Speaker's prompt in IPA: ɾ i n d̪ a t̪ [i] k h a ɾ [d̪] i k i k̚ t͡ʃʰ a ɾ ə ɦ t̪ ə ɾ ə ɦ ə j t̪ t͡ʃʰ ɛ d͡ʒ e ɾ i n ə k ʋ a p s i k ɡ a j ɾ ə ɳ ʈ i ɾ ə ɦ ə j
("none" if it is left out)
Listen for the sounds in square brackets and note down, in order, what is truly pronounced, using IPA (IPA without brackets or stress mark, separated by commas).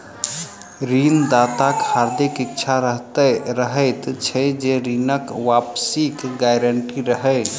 a, d̪